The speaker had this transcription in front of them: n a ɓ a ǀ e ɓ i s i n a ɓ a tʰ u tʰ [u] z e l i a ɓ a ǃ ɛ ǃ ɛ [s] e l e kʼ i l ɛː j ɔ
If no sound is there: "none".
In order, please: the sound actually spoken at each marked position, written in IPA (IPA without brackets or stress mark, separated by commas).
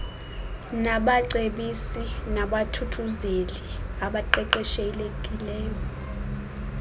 u, ʃ